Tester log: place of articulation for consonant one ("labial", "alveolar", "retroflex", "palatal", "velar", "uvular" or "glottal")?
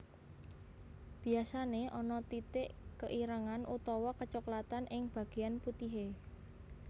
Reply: labial